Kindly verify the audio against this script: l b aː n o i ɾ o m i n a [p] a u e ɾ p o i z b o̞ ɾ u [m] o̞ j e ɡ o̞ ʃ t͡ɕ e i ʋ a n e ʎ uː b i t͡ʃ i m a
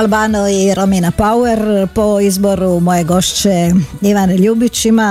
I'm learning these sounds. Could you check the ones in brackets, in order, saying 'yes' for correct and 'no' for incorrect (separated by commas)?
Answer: yes, yes